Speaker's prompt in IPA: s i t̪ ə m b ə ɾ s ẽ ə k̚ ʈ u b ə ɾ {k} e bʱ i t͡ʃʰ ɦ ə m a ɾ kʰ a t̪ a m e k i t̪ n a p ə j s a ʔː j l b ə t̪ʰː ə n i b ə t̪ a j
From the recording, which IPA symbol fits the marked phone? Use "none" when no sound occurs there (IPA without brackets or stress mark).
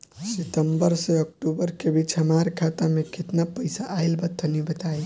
k